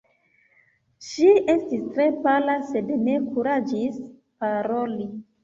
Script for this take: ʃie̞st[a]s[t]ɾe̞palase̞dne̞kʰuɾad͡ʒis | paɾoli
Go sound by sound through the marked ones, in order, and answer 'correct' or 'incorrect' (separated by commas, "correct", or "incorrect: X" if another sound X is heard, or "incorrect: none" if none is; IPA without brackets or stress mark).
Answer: incorrect: i, correct